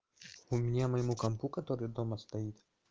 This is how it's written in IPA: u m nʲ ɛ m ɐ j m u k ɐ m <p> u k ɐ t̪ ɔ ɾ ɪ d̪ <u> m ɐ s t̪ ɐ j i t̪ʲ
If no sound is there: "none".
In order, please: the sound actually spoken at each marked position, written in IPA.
p, ɔ

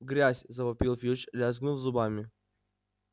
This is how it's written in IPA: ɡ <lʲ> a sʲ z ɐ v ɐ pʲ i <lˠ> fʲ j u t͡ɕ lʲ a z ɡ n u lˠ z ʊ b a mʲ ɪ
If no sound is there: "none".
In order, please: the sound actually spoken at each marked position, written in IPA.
ɾʲ, lˠ

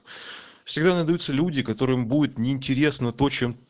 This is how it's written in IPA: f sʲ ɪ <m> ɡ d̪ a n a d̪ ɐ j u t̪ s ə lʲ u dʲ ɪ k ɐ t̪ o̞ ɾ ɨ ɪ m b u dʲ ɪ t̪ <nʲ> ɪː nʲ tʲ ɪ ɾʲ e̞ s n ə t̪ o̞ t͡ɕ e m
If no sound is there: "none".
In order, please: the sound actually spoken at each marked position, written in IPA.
none, nʲ

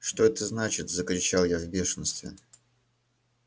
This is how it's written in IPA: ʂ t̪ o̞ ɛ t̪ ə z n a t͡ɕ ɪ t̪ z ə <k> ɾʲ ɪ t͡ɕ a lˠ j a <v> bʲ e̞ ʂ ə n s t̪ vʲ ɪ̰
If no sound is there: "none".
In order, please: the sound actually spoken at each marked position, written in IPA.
k, v

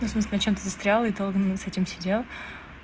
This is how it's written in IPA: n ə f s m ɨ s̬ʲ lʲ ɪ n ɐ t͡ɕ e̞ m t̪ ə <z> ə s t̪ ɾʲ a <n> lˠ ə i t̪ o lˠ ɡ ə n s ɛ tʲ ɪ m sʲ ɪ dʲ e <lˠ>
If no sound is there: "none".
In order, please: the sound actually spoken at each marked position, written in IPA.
z, none, lˠ

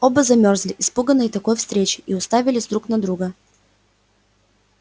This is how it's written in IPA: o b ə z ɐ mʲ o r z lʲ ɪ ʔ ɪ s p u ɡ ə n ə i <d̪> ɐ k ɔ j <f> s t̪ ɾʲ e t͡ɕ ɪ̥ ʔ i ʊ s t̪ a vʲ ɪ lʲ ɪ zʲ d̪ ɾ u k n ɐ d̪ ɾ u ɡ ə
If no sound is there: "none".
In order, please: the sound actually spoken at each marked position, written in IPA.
t̪, f

